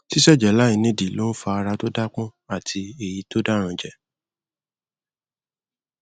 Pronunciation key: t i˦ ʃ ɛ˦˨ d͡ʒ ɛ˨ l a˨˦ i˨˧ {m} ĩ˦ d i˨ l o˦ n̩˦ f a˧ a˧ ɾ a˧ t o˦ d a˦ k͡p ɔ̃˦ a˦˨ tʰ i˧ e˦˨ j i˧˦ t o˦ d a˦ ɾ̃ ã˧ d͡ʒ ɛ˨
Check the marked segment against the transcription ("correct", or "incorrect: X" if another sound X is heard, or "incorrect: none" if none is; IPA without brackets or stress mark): incorrect: n